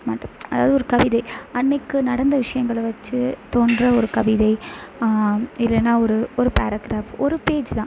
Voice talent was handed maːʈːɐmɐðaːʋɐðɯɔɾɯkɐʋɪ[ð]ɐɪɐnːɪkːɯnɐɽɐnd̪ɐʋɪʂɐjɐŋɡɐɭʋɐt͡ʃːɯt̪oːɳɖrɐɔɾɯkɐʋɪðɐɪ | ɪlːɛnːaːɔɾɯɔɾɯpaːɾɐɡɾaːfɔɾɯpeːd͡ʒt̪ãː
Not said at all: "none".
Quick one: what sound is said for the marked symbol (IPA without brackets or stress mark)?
ð